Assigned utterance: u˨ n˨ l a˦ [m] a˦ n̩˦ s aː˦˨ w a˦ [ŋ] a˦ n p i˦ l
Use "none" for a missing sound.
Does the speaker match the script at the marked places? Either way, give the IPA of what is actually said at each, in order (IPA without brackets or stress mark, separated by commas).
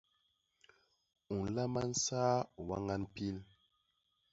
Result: m, ŋ